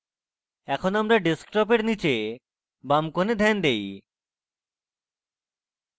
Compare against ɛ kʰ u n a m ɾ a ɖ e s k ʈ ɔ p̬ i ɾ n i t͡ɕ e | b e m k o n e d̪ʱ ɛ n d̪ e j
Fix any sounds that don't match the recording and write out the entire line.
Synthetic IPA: ɛ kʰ o n a m ɾ a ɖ e s k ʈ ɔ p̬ e ɾ n i t͡ɕ e | b a m k o n e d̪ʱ ɛ n d̪ e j